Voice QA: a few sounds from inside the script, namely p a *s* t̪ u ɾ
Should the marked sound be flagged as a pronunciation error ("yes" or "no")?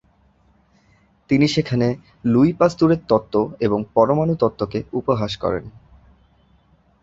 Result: no